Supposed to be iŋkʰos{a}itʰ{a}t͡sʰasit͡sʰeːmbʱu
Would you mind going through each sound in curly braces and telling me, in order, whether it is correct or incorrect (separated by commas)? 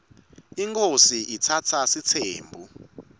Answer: incorrect, correct